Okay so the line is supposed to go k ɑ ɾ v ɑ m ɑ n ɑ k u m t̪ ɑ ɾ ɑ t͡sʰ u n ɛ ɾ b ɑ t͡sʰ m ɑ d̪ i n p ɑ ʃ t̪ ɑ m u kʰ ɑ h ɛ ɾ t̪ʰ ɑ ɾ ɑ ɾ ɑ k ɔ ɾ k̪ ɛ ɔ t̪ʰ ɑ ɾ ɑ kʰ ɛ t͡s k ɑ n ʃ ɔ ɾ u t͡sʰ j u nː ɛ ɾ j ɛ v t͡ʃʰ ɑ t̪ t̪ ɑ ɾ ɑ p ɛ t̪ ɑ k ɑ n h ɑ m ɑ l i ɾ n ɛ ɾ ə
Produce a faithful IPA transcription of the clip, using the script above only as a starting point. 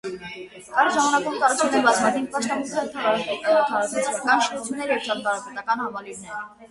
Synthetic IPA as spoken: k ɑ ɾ ʒ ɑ m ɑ n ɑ k u m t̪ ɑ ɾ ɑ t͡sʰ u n ɛ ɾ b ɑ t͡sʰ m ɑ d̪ i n p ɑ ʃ t̪ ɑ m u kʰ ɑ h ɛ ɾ t̪ʰ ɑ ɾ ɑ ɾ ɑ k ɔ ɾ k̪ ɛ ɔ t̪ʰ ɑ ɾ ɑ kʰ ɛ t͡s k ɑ n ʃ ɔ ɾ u t͡sʰ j u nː ɛ ɾ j ɛ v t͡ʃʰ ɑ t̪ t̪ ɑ ɾ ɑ p ɛ t̪ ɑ k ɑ n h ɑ m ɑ l i ɾ n ɛ ɾ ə